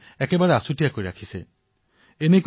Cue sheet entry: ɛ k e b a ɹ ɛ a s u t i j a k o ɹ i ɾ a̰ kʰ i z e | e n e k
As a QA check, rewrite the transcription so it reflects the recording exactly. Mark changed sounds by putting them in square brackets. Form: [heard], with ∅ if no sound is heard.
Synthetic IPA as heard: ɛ k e b a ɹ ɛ a s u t i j a k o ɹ i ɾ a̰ kʰ i [s] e | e n e k